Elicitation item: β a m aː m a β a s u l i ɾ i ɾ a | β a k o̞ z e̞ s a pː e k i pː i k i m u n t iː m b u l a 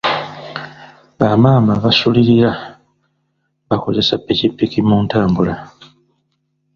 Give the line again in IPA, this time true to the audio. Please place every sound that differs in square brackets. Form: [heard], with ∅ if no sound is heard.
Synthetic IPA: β a m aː m a β a s u l i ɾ i ɾ a | β a k o̞ z e̞ s a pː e [c] i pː i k i m u n t [aː] m b u l a